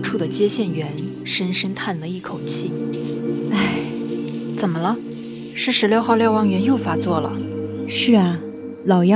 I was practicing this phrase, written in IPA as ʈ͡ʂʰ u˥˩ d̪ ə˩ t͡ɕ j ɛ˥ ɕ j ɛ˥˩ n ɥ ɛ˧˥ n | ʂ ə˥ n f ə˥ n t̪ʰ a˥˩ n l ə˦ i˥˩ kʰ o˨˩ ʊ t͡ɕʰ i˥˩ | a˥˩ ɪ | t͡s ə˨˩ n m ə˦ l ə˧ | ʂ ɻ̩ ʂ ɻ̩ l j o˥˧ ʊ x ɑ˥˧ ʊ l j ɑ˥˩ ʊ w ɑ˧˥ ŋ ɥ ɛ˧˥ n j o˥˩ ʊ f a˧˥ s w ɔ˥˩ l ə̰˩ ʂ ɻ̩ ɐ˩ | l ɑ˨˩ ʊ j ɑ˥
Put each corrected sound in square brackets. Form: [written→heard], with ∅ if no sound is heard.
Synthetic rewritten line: ʈ͡ʂʰ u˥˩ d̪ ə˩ t͡ɕ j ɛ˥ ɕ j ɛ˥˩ n ɥ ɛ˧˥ n | ʂ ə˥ n [f→ʂ] ə˥ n t̪ʰ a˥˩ n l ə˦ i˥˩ kʰ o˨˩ ʊ t͡ɕʰ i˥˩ | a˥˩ ɪ | t͡s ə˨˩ n m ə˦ l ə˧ | ʂ ɻ̩ ʂ ɻ̩ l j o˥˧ ʊ x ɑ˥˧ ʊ l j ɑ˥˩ ʊ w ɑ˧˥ ŋ ɥ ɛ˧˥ n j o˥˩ ʊ f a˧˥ [s→t͡s] w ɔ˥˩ l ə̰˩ ʂ ɻ̩ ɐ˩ | l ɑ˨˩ ʊ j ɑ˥